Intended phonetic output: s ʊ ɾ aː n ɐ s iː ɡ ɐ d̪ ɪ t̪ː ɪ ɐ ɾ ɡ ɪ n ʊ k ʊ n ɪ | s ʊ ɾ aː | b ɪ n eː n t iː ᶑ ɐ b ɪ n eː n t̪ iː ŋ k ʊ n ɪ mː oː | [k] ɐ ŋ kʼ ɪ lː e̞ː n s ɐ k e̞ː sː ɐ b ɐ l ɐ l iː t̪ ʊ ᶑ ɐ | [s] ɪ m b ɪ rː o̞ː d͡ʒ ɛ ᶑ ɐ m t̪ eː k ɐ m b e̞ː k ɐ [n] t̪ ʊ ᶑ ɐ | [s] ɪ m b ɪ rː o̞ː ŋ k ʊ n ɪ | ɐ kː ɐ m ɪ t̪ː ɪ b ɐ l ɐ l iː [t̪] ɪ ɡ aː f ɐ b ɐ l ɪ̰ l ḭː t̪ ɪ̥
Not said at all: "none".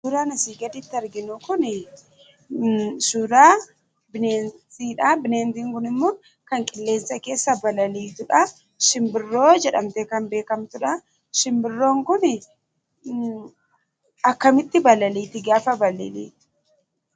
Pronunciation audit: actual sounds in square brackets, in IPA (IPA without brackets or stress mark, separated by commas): k, ʃ, m, ʃ, t̪